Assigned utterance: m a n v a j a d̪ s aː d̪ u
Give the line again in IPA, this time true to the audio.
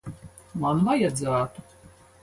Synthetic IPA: m a n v a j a d̪ z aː t̪ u

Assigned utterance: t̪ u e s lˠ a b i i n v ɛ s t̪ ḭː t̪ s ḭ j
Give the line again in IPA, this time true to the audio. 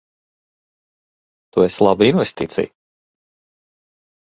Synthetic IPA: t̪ u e s lˠ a b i i n v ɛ s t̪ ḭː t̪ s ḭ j

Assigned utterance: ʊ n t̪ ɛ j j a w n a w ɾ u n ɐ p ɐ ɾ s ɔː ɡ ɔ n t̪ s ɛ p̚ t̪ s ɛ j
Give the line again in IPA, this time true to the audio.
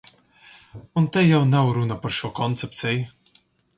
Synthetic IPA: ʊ n t̪ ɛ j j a w n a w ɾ u n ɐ p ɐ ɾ ʃ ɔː k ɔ n t̪ s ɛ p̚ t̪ s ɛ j

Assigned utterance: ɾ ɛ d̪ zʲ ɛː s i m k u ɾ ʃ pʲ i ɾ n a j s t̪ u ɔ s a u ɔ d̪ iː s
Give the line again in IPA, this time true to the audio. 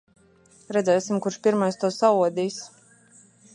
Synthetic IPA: ɾ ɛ d̪ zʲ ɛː s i m k u ɾ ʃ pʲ i ɾ m a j s t̪ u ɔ s a u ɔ d̪ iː s

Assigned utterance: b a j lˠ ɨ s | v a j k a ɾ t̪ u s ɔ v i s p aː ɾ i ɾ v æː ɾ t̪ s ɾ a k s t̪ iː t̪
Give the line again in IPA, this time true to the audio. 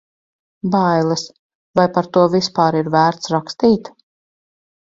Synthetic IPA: b a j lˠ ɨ s | v a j p a ɾ t̪ u ɔ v i s p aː ɾ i ɾ v æː ɾ t̪ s ɾ a k s t̪ iː t̪

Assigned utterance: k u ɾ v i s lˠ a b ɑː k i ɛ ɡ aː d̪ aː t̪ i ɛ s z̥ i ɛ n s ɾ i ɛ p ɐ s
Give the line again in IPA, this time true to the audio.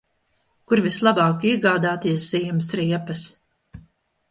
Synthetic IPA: k u ɾ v i s lˠ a b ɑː k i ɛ ɡ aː d̪ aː t̪ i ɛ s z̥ i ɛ m s ɾ i ɛ p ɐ s

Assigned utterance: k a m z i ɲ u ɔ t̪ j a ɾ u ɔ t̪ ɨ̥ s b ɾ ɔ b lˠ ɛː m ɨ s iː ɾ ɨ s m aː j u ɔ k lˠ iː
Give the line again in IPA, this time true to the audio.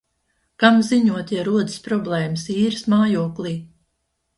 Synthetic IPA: k a m z i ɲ u ɔ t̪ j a ɾ u ɔ d̪ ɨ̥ s p ɾ ɔ b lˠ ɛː m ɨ s iː ɾ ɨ s m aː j u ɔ k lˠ iː

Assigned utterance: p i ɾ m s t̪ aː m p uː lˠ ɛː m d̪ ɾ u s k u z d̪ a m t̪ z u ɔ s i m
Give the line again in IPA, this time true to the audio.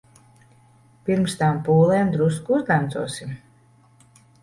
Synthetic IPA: p i ɾ m s t̪ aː m p uː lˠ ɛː m d̪ ɾ u s k u z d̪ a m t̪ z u ɔ s i m

